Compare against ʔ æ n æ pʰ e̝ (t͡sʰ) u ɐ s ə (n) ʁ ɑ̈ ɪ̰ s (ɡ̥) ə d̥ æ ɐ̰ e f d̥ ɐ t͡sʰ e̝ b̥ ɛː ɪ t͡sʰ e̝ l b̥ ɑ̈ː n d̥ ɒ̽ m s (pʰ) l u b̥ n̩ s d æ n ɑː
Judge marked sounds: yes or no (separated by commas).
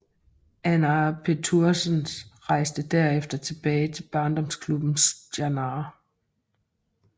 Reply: yes, yes, no, no